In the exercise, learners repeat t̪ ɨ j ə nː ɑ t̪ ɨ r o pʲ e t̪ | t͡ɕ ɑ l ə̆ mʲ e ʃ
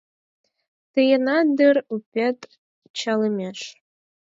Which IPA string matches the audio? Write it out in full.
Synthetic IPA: t̪ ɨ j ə n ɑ d̪ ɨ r u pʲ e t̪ | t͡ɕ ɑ l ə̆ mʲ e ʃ